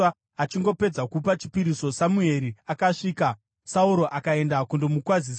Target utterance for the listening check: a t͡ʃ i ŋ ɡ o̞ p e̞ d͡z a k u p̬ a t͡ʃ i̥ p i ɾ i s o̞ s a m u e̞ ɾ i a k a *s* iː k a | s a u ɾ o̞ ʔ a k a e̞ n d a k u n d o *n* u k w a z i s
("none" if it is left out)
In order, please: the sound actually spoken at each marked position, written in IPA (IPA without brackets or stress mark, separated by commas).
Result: ʂ, m